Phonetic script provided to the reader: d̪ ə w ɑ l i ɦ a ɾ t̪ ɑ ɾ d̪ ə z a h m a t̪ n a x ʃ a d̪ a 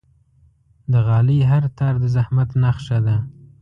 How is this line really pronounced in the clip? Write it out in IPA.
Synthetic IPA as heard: d̪ ə ɣ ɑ l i ɦ a ɾ t̪ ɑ ɾ d̪ ə z a h m a t̪ n a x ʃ a d̪ a